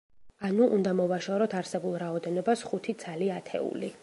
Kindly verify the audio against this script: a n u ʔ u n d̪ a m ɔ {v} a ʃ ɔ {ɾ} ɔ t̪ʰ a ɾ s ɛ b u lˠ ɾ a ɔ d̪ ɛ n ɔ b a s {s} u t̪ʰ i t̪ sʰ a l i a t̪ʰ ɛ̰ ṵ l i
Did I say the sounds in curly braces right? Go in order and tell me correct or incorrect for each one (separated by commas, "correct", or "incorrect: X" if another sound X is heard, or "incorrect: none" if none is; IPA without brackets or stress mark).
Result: correct, correct, incorrect: χ